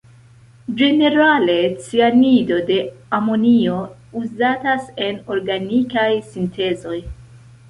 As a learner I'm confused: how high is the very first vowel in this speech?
mid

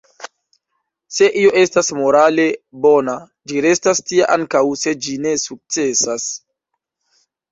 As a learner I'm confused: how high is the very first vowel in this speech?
mid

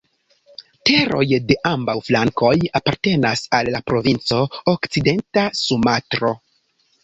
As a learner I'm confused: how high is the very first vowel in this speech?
mid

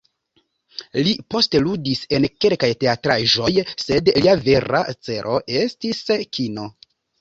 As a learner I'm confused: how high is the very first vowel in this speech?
high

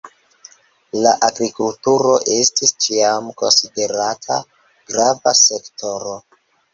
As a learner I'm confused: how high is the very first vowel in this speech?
low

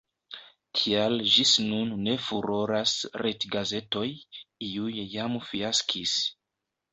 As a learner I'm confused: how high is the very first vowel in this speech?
high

